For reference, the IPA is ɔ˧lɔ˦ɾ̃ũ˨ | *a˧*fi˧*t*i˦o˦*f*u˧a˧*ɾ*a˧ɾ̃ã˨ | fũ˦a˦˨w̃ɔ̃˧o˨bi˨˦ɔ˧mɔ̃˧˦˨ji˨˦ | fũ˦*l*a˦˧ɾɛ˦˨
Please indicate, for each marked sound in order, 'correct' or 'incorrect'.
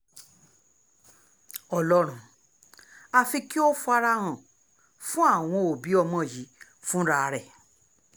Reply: correct, incorrect: k, correct, correct, incorrect: ɾ

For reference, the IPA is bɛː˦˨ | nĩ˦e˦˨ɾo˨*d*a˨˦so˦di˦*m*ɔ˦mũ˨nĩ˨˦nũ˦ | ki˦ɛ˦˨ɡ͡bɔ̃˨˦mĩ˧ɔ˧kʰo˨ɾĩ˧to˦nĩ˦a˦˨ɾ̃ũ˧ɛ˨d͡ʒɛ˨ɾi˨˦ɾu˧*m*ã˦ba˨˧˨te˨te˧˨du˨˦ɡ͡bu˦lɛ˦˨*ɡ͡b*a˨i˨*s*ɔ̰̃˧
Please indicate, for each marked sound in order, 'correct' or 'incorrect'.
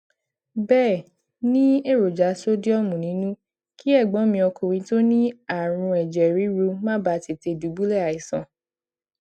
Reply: incorrect: d͡ʒ, incorrect: none, correct, incorrect: none, correct

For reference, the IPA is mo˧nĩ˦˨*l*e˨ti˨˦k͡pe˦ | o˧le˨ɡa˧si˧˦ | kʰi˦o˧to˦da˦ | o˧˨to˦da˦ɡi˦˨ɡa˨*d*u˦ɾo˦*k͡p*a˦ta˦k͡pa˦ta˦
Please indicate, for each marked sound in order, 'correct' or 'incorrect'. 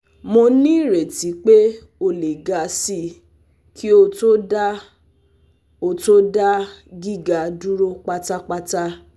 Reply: incorrect: ɾ, correct, correct

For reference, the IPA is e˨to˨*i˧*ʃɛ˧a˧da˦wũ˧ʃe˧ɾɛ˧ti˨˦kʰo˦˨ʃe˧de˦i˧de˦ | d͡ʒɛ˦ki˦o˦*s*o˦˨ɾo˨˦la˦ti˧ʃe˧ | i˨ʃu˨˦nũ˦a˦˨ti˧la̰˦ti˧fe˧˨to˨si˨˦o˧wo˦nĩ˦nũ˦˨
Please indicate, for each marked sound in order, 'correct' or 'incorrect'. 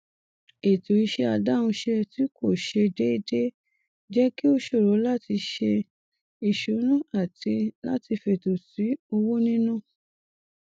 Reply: correct, incorrect: ʃ

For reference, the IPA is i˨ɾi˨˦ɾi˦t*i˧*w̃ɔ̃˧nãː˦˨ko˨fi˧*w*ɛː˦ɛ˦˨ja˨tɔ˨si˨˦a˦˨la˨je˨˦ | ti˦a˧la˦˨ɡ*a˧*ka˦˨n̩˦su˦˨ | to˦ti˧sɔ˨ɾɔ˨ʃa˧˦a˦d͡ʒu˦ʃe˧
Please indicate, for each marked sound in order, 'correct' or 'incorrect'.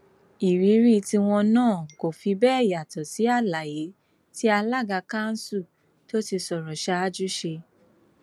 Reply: correct, incorrect: b, correct

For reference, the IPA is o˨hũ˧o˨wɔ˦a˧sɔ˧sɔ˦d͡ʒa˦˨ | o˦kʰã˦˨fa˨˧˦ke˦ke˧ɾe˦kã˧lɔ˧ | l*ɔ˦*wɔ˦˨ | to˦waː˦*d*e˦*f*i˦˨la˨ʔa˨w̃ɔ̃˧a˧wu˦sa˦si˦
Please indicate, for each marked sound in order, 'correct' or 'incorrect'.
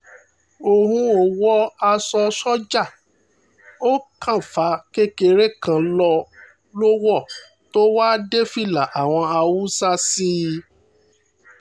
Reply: incorrect: o˦, correct, correct

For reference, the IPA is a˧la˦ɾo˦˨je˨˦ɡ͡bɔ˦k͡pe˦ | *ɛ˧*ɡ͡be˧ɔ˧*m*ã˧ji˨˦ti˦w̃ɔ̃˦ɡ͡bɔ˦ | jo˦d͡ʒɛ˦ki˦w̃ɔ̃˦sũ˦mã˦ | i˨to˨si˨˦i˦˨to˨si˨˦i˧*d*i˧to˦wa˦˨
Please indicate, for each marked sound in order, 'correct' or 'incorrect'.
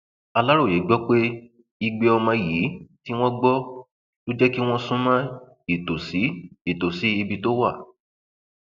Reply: incorrect: i˧, correct, incorrect: b

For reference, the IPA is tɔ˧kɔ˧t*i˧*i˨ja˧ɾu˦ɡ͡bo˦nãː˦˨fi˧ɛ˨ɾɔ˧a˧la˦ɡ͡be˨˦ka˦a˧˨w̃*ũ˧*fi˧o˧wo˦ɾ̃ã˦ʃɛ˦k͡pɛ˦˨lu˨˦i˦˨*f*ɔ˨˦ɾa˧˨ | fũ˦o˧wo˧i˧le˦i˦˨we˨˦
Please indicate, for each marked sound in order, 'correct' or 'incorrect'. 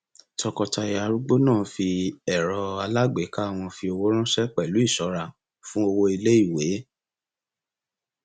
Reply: incorrect: a˧, incorrect: ɔ̃˧, incorrect: ʃ

